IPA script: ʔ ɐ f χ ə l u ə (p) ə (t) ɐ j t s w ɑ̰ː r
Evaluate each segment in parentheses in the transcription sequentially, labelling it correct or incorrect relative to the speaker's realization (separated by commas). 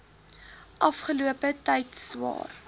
correct, correct